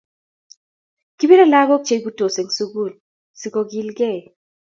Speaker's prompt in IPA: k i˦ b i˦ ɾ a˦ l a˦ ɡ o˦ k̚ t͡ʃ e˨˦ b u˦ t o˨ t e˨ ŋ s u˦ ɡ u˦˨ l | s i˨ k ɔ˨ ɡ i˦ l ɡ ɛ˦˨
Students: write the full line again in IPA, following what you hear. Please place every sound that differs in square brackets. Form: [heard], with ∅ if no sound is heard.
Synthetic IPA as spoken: k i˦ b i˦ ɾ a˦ l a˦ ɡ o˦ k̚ t͡ʃ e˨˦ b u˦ t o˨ [s] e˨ ŋ s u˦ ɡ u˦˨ l | s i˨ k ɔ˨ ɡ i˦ l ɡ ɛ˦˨

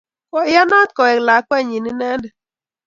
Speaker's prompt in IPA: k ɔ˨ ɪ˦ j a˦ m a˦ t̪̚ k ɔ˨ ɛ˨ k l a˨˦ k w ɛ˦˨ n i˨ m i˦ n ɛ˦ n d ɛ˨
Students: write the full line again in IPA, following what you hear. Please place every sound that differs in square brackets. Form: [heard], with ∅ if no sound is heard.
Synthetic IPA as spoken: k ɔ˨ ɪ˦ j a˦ [n] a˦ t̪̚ k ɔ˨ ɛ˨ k l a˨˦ k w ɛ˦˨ [ɲ] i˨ [n] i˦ n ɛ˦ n d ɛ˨

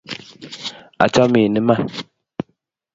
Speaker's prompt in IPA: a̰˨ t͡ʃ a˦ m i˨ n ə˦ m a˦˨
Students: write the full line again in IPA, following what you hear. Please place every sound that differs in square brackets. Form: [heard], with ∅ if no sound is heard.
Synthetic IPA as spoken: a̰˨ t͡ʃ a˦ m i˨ n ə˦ m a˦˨

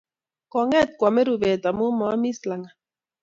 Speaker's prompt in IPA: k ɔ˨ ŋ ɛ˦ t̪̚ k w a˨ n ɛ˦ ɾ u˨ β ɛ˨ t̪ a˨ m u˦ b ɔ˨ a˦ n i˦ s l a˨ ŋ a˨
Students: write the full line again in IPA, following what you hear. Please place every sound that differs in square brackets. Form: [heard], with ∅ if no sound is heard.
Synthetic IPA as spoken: k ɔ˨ ŋ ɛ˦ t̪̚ k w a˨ [m] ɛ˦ ɾ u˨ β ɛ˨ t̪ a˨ m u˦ [m] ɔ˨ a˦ [m] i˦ s l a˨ ŋ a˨

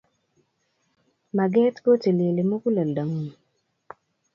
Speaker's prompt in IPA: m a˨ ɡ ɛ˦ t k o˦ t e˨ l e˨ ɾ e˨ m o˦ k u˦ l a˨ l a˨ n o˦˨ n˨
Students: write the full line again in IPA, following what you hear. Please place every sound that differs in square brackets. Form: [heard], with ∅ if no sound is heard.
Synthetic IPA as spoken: m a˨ ɡ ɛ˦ t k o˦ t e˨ l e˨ [l] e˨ m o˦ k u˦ l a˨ l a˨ [ŋ] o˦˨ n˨

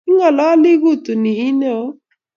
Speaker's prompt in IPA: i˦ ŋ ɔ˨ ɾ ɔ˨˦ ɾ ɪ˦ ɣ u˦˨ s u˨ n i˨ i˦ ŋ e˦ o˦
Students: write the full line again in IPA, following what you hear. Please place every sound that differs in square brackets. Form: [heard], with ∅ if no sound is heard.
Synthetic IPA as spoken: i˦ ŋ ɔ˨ [l] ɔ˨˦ [l] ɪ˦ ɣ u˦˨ [t] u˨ n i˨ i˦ [n] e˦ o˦

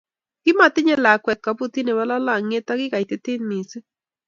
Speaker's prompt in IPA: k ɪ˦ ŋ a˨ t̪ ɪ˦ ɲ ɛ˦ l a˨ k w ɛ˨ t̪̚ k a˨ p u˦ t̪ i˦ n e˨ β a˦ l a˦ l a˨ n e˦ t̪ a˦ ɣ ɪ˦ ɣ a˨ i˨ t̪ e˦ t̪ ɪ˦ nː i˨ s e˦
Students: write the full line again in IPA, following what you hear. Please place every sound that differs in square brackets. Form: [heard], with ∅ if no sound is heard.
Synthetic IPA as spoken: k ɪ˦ [m] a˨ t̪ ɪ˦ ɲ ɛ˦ l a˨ k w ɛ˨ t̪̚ k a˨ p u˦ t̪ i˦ n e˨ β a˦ l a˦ l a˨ [ŋ] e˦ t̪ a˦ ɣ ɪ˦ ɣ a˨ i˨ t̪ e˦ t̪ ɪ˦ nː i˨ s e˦

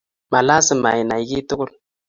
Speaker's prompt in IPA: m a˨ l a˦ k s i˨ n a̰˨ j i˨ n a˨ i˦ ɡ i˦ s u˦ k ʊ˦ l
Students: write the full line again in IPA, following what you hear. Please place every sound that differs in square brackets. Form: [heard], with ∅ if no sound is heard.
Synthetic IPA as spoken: m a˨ l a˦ [∅] s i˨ [m] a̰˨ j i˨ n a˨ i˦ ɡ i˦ [t] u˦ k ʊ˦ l

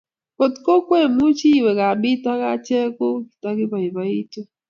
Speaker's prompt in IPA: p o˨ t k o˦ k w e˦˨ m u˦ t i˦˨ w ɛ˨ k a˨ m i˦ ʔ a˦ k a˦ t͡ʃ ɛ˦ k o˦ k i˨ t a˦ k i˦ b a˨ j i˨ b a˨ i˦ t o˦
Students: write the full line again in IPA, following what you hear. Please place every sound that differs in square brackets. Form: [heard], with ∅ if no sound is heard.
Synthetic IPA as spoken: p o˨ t k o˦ k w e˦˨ m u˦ [t͡ʃ] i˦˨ w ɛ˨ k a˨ [b] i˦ [t] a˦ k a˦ t͡ʃ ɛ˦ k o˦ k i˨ t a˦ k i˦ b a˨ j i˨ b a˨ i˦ t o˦

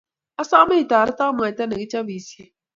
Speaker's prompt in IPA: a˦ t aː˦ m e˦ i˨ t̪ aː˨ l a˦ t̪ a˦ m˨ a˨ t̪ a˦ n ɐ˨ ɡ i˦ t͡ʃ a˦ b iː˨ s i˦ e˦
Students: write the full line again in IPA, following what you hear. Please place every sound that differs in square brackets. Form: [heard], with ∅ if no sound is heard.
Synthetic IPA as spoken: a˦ [s] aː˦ m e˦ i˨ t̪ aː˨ [ɾ] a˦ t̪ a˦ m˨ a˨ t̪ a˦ n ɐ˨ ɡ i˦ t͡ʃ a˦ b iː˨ s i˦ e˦

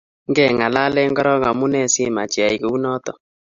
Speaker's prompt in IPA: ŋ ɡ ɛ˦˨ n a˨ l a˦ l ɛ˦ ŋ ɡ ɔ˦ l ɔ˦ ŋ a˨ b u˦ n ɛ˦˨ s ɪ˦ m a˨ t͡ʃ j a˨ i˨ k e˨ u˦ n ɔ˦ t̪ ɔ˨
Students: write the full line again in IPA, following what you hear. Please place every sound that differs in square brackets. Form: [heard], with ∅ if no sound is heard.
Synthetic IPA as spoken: ŋ ɡ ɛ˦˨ [ŋ] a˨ l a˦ l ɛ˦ ŋ ɡ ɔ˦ [ɾ] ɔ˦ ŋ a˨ [m] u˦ n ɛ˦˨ s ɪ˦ m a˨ t͡ʃ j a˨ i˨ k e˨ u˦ n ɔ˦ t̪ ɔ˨

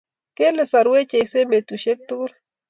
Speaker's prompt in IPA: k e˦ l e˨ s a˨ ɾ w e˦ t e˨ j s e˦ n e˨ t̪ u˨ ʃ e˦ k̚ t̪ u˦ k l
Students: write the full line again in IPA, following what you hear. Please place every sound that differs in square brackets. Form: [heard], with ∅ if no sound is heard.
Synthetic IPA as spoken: k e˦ l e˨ s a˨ ɾ w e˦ [t͡ʃ] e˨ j s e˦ [m] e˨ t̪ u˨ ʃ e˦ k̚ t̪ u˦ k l

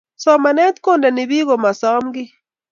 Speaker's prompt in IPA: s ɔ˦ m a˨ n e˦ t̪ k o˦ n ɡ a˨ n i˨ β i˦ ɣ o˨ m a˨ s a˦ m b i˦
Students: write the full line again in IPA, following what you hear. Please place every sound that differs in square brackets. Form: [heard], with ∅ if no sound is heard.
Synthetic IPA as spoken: s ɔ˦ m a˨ n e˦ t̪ k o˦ n [d] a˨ n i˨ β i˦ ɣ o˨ m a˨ s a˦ m [ɡ] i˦

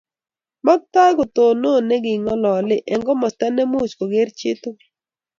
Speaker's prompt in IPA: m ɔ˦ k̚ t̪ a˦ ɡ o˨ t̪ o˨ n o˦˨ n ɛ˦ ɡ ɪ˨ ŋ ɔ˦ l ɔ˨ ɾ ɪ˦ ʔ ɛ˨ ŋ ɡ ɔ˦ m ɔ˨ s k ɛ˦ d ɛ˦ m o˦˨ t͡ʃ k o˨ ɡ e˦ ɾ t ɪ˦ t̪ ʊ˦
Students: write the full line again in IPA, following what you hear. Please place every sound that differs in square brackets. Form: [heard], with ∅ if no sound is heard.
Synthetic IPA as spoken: m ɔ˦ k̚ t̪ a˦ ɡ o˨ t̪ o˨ n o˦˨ n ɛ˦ ɡ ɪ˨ ŋ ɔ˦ l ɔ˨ [l] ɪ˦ ʔ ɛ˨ ŋ ɡ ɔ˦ m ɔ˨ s [t] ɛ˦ [n] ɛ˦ m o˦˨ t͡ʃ k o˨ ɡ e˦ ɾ [t͡ʃ] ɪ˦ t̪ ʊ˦

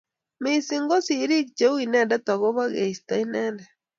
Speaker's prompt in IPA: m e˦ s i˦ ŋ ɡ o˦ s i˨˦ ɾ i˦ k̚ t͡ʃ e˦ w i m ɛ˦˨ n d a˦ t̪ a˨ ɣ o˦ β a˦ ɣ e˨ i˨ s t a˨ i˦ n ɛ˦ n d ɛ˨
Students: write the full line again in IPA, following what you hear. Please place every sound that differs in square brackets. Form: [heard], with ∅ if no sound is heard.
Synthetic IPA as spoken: m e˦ s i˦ ŋ ɡ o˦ s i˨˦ ɾ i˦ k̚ t͡ʃ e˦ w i [n] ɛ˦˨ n d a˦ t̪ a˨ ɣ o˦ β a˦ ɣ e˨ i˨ s t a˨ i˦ n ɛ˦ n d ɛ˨

